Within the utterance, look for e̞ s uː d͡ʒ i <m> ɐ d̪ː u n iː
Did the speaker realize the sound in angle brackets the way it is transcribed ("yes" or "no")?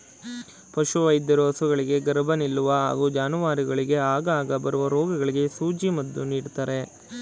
yes